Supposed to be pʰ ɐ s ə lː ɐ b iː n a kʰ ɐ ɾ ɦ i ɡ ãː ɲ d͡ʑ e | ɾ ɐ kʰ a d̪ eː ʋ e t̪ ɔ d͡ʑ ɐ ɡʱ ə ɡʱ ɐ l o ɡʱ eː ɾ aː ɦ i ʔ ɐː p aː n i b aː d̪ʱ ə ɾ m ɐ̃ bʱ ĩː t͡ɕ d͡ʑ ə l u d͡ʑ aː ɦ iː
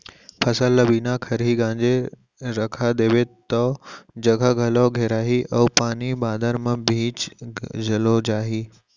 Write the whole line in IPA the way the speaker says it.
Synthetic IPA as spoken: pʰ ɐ s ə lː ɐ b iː n a kʰ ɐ ɾ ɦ i ɡ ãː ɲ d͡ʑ e | ɾ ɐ kʰ a d̪ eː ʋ e t̪ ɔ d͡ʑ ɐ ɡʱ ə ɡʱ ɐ l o ɡʱ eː ɾ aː ɦ i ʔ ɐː p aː n i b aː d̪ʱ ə ɾ m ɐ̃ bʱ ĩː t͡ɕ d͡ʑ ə l o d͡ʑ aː ɦ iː